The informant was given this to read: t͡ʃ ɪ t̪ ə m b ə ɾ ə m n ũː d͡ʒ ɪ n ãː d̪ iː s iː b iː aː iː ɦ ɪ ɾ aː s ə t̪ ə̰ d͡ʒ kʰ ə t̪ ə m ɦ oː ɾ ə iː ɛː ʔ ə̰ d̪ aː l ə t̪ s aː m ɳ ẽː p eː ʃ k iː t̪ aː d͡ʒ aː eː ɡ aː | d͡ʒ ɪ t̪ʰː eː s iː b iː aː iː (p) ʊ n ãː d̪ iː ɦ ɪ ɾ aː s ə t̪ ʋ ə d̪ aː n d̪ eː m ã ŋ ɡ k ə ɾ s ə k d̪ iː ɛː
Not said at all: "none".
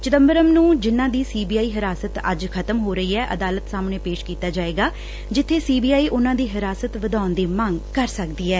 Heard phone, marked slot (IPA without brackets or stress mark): ʔ